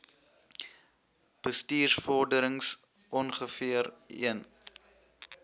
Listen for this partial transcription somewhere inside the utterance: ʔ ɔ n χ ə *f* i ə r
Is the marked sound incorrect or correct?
correct